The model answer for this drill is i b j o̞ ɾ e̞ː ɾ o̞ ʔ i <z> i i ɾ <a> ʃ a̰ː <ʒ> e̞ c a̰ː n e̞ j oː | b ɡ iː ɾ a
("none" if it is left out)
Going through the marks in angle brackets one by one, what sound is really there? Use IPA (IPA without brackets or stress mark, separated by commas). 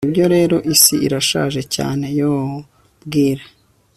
s, a, ʒ